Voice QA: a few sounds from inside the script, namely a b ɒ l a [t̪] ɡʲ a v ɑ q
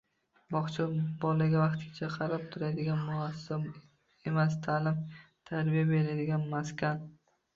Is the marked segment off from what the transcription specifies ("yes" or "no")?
yes